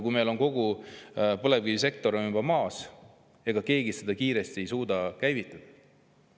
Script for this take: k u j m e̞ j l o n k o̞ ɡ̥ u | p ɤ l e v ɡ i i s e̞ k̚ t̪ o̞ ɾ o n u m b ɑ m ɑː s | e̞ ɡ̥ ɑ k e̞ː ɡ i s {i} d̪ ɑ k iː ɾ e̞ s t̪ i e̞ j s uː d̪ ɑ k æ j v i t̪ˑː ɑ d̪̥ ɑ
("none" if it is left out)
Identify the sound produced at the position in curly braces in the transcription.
e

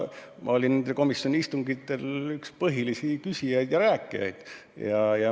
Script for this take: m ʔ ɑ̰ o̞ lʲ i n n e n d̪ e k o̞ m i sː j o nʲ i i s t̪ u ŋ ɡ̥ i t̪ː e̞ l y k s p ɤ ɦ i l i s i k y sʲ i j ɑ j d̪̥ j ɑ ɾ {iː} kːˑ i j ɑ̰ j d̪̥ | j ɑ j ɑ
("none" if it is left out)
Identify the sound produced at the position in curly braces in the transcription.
æː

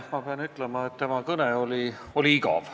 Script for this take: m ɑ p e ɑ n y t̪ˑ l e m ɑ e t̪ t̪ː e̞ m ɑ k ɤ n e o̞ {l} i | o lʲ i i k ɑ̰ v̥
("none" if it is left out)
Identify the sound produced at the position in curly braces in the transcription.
l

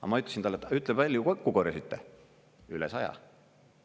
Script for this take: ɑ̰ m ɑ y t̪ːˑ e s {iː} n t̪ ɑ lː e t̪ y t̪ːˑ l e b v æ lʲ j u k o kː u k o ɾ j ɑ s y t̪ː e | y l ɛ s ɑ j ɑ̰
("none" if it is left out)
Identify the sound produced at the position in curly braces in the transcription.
i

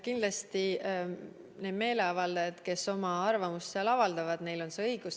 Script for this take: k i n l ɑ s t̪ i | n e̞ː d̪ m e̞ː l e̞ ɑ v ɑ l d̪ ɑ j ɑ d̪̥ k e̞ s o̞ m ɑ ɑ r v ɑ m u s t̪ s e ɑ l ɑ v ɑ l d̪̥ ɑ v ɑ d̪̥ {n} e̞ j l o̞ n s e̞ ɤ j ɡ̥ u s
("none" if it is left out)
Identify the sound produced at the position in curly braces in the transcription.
n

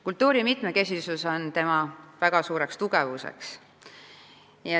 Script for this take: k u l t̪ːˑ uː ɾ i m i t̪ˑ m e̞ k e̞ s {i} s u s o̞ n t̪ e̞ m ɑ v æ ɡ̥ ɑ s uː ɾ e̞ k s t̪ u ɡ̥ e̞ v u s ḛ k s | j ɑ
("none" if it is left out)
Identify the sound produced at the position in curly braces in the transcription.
i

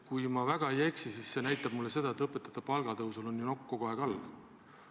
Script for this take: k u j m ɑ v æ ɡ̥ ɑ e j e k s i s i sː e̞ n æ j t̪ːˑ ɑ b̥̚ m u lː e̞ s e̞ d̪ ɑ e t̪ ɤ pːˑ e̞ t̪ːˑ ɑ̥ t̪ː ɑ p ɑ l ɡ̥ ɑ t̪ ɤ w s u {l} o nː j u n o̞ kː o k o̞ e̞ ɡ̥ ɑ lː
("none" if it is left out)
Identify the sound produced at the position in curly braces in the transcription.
l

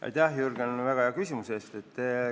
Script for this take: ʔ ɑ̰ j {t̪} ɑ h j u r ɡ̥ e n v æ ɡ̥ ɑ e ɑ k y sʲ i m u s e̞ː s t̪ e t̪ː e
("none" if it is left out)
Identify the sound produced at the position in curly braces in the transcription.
t̪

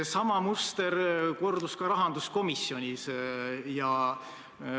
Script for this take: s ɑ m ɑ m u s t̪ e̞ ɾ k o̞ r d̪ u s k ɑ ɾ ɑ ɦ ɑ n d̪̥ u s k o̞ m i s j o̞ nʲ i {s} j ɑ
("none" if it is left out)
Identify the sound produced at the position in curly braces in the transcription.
s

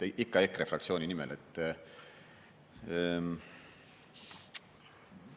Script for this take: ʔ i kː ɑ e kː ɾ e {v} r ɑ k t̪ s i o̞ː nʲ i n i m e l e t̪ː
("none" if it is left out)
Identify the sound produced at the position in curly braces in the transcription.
f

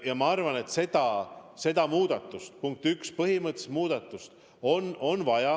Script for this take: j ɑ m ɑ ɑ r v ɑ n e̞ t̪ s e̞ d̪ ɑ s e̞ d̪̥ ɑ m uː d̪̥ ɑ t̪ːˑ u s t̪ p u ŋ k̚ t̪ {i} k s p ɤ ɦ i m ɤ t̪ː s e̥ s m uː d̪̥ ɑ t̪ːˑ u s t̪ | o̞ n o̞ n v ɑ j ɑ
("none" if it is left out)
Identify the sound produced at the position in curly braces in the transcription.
y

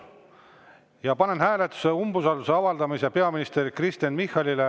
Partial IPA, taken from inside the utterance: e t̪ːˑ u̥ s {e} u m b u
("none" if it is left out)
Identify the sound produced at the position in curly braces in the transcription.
e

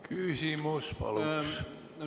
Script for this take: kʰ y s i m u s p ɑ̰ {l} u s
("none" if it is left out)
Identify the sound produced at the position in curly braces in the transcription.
l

